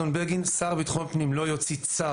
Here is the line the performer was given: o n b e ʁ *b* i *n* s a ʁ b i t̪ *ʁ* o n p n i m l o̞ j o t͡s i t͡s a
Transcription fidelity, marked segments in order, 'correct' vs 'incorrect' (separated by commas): incorrect, correct, incorrect